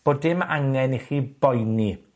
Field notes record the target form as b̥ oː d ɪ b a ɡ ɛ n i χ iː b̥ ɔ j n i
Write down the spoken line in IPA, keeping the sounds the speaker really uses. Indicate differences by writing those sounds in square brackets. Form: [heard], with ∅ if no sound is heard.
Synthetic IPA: b̥ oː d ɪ [m] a [ŋ] ɛ n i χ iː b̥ ɔ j n i